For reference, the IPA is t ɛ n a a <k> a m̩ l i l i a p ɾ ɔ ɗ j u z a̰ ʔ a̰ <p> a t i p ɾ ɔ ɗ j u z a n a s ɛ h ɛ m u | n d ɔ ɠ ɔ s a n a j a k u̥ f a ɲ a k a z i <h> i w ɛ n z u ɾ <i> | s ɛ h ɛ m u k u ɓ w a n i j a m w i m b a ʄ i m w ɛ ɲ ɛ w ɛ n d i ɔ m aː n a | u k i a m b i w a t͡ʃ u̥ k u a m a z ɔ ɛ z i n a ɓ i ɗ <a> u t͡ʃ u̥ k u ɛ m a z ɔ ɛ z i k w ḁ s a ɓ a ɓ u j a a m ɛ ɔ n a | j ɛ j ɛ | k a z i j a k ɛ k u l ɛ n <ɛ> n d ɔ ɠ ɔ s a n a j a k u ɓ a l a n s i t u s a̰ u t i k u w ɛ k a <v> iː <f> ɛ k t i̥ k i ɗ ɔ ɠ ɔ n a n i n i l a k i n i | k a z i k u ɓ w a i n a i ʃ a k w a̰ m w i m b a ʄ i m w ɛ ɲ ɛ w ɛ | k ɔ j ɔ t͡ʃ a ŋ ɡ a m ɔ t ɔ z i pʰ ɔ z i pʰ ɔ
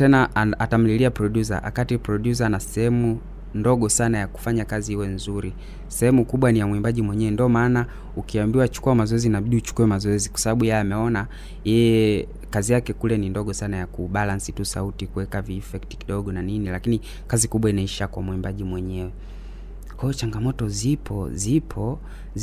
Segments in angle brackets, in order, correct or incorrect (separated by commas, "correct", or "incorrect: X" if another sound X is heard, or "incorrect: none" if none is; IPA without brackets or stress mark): incorrect: t, incorrect: k, correct, correct, incorrect: i, incorrect: i, correct, correct